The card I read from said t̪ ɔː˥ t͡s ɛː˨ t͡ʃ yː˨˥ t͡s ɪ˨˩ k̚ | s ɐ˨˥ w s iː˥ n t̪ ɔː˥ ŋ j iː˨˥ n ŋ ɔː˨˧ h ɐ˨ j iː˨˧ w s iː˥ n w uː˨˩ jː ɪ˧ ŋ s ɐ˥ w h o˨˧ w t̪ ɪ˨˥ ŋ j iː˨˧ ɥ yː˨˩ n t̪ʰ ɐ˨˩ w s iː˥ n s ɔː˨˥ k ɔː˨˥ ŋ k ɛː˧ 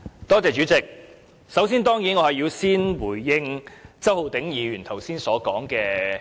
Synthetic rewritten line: t̪ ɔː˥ t͡s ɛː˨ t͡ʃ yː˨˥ t͡s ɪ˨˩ k̚ | s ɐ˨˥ w s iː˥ n t̪ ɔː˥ ŋ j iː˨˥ n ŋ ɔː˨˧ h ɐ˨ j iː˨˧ w s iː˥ n w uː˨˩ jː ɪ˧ ŋ t͡s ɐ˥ w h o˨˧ w t̪ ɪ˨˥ ŋ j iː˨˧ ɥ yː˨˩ n t̪ʰ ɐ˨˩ w s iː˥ n s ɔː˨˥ k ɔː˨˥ ŋ k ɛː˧